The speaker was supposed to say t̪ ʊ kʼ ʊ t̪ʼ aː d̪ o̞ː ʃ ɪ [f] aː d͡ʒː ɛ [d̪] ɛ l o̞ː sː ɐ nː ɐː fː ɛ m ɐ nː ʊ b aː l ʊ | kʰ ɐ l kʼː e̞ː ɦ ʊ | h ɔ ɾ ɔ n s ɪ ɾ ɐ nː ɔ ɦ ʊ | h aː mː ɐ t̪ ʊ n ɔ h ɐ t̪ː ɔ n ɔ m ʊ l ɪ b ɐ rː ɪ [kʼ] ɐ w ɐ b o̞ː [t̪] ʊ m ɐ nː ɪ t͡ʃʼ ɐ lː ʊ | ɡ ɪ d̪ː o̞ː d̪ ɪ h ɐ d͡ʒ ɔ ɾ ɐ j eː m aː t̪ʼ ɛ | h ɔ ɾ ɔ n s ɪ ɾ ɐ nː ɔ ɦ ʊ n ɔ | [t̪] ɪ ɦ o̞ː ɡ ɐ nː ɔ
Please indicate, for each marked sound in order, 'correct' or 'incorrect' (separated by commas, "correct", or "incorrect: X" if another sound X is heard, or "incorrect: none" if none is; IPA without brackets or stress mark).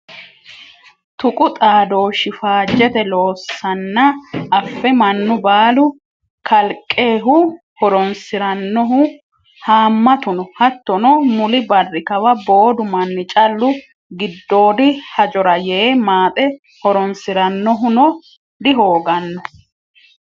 correct, incorrect: t̪, incorrect: k, incorrect: d̪, incorrect: d̪